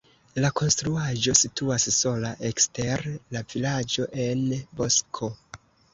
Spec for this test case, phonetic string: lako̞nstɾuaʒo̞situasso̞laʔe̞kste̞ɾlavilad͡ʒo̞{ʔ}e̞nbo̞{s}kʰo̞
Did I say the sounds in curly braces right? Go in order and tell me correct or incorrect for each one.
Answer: correct, correct

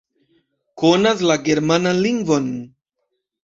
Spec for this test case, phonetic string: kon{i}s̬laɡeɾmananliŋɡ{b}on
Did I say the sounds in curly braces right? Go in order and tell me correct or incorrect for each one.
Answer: incorrect: a, incorrect: v

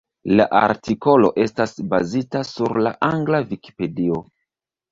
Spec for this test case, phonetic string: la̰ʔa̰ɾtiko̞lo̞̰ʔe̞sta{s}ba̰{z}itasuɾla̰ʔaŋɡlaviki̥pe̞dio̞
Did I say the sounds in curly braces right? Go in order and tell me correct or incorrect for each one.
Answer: correct, correct

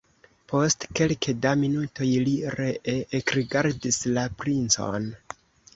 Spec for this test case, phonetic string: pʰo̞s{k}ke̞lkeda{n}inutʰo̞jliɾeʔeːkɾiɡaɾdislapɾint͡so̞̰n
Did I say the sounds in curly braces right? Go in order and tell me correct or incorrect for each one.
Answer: incorrect: t, incorrect: m

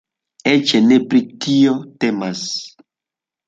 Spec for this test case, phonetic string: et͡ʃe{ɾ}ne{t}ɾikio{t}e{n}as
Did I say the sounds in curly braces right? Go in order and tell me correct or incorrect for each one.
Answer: incorrect: none, incorrect: p, correct, incorrect: m

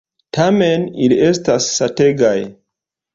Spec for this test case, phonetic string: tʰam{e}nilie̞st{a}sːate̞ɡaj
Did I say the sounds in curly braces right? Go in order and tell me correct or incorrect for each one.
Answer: correct, correct

